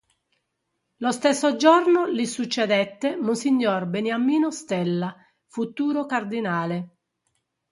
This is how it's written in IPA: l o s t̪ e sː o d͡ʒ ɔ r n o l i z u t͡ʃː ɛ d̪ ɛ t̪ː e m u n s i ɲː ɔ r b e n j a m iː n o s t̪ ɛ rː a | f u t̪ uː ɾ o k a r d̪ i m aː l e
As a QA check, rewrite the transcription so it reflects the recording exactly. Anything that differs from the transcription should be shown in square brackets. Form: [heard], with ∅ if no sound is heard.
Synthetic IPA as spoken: l o s t̪ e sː o d͡ʒ ɔ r n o l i [s] u t͡ʃː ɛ d̪ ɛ t̪ː e m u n s i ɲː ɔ r b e n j a m iː n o s t̪ ɛ [lː] a | f u t̪ uː ɾ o k a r d̪ i [n] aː l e

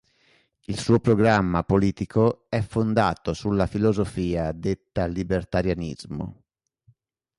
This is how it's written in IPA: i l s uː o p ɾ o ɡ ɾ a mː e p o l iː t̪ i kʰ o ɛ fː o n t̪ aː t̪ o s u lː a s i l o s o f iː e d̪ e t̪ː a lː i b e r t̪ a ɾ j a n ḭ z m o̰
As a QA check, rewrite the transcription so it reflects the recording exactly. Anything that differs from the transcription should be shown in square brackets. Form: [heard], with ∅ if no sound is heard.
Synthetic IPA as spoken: i l s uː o p ɾ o ɡ ɾ a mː [a] p o l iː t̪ i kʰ o ɛ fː o n [d̪] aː t̪ o s u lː a [f] i l o [z] o f iː [a] d̪ e t̪ː a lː i b e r t̪ a ɾ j a n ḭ z m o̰

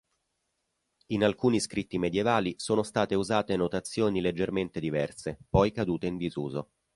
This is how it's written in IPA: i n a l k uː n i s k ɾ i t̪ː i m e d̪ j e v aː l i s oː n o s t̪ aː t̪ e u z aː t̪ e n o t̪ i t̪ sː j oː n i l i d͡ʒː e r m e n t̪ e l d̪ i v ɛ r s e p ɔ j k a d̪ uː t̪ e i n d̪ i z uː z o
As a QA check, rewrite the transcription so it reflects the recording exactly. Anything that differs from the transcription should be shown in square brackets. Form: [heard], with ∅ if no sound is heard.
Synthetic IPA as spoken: i n a l k uː n i s k ɾ i t̪ː i m e d̪ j e v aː l i s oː n o s t̪ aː t̪ e u z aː t̪ e n o t̪ [a] t̪ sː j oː n i l [e] d͡ʒː e r m e n t̪ e [∅] d̪ i v ɛ r s e p ɔ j k a d̪ uː t̪ e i n d̪ i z uː z o

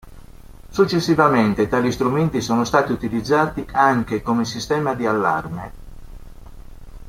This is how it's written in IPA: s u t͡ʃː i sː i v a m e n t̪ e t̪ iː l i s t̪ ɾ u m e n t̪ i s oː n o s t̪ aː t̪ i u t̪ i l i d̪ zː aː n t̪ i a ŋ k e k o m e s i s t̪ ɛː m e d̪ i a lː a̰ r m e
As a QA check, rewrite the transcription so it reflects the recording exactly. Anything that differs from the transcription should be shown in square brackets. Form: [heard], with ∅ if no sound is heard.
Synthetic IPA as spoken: s u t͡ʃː [e] sː i v a m e n t̪ e t̪ [aː] l i s t̪ ɾ u m e n t̪ i s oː n o s t̪ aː t̪ i u t̪ i l i d̪ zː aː [∅] t̪ i a ŋ k e k o m e s i s t̪ ɛː m [a] d̪ i a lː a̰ r m e

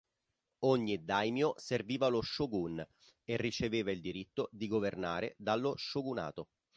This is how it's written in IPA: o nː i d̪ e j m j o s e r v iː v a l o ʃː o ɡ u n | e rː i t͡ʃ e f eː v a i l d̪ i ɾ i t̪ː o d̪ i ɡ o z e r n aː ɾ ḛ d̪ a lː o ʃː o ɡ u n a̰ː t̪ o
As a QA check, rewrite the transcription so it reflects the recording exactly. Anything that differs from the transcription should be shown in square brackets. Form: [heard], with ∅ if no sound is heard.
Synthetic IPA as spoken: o [ɲː] i d̪ [a] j m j o s e r v iː v a l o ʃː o ɡ u n | e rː i t͡ʃ e [v] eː v a i l d̪ i ɾ i t̪ː o d̪ i ɡ o [v] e r n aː ɾ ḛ d̪ a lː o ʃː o ɡ u n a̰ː t̪ o

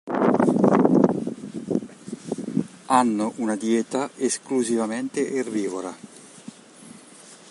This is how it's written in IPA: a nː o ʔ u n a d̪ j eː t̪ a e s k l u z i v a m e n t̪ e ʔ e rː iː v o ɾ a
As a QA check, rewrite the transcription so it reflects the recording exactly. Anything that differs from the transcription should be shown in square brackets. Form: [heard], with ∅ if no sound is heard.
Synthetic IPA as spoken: a nː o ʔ u n a d̪ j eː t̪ a e s k l u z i v a m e n t̪ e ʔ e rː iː v o ɾ a

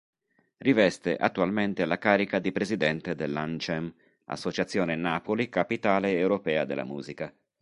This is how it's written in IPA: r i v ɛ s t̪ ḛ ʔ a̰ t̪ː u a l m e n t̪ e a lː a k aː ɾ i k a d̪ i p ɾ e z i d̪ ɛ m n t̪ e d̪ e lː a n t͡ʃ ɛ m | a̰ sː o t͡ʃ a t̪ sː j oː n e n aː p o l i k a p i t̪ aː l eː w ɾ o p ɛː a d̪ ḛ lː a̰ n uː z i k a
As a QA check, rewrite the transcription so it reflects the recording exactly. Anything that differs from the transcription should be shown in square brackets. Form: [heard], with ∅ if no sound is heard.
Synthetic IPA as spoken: r i v ɛ s t̪ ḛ ʔ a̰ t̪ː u a l m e n t̪ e a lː a k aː ɾ i k a d̪ i p ɾ e z i d̪ ɛ [∅] n t̪ e d̪ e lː a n t͡ʃ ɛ m | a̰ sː o t͡ʃ a t̪ sː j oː n e n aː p o l i k a p i t̪ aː l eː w ɾ o p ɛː a d̪ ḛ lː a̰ [m] uː z i k a

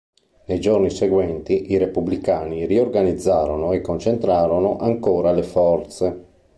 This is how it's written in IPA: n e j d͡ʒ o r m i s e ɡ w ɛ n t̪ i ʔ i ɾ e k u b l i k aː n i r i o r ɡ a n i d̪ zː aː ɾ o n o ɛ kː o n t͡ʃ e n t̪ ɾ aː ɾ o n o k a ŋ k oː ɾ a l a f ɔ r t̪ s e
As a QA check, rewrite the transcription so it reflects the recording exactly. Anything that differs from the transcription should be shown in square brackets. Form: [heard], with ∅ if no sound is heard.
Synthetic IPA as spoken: n e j d͡ʒ o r [n] i s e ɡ w ɛ n t̪ i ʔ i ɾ e [p] u b l i k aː n i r i o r ɡ a n i d̪ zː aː ɾ o n o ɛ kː o n t͡ʃ e n t̪ ɾ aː ɾ o n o [ʔ] a ŋ k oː ɾ a l [e] f ɔ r t̪ s e

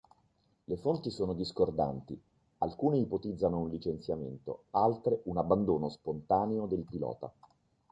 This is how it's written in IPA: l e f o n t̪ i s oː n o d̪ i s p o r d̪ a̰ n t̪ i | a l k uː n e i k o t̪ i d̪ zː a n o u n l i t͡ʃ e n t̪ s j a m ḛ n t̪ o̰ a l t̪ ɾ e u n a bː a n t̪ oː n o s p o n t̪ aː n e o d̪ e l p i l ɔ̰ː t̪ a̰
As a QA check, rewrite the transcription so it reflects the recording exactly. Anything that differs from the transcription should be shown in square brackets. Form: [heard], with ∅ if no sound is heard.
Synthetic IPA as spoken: l e f o n t̪ i s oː n o d̪ i s [k] o r d̪ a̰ n t̪ i | a l k uː n e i [p] o t̪ i d̪ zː a n o u n l i t͡ʃ e n t̪ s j a m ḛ n t̪ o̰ a l t̪ ɾ e u n a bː a n [d̪] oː n o s p o n t̪ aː n e o d̪ e l p i l ɔ̰ː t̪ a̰

